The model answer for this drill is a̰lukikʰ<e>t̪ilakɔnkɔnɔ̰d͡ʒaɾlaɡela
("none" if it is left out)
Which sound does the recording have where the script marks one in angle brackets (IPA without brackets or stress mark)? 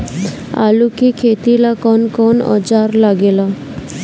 e